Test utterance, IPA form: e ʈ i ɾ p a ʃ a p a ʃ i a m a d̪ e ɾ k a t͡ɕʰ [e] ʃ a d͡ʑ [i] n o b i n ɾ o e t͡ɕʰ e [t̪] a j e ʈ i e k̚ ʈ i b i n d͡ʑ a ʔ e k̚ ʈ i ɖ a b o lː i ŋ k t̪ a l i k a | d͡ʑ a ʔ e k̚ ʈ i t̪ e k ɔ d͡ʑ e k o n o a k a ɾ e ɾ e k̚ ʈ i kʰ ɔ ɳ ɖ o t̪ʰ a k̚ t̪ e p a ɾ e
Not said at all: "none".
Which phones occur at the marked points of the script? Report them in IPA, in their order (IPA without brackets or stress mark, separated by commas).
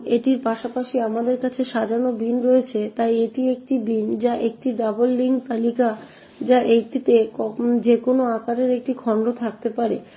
e, a, t̪